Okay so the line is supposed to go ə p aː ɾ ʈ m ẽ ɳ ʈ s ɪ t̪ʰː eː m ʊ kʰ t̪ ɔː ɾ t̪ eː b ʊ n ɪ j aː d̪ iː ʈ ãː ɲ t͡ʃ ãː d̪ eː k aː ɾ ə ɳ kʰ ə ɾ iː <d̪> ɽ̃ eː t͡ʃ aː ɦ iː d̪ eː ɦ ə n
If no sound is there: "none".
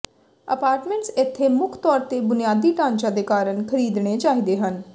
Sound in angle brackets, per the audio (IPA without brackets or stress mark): d̪